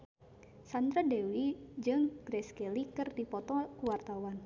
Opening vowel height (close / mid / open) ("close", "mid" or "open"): open